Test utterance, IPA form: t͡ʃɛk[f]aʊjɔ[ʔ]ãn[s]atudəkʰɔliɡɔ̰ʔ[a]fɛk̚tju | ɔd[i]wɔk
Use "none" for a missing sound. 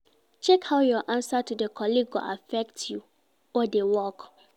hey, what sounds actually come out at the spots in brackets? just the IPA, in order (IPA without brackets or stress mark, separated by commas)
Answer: h, ʔ, s, a, e